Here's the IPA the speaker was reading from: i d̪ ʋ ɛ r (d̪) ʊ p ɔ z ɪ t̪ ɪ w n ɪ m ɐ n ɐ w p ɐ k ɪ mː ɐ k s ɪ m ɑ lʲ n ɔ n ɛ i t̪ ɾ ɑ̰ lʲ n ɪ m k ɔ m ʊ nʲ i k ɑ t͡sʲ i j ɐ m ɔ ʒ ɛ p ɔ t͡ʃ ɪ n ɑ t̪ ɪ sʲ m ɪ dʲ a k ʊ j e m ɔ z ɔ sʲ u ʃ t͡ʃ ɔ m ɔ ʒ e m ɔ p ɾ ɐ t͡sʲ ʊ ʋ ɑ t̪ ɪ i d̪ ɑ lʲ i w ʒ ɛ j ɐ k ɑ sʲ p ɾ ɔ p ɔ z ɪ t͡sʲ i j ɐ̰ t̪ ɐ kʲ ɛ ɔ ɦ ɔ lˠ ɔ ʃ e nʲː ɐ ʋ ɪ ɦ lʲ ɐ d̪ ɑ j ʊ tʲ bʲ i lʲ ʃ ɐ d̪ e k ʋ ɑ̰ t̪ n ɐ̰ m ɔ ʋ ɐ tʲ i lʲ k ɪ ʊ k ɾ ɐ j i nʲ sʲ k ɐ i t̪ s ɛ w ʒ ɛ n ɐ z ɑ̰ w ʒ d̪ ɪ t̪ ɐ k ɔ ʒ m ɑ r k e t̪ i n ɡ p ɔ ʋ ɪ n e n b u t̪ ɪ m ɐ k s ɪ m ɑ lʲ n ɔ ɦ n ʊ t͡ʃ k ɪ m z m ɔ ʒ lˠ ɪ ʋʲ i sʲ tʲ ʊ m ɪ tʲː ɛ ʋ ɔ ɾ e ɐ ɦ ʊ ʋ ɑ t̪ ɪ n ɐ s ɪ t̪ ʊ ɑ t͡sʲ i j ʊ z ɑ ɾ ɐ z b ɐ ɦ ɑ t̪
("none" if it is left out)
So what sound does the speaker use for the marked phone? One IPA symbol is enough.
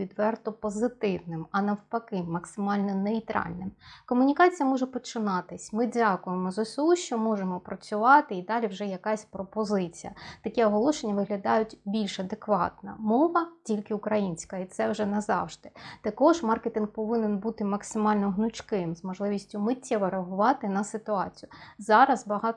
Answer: t̪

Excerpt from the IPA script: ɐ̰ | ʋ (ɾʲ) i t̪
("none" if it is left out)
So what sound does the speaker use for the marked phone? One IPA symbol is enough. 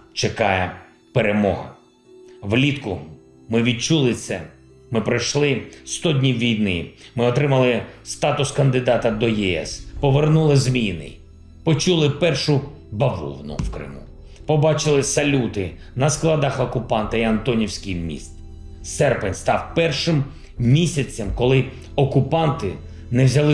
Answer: lʲ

